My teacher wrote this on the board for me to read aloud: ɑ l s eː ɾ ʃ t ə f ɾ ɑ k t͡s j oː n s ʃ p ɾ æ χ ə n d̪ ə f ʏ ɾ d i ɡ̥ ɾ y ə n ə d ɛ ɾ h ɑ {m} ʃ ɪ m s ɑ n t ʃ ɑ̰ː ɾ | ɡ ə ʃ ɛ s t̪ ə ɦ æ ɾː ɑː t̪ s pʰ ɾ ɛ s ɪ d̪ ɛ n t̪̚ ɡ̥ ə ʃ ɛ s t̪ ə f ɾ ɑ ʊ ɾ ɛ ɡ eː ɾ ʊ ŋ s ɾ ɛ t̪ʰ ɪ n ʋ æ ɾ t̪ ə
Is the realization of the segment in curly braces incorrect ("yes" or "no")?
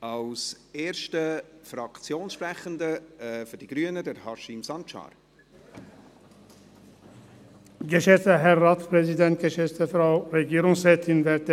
yes